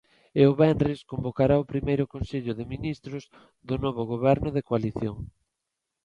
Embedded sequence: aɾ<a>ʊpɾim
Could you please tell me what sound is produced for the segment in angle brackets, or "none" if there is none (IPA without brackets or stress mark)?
a